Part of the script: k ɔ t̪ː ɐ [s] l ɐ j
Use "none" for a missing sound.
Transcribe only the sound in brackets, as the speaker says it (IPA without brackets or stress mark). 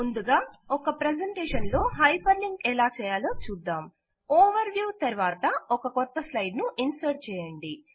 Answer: s